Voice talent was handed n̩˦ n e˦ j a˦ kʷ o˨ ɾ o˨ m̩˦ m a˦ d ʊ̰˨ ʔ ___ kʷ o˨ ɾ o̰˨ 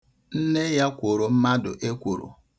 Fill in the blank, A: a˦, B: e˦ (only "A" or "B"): B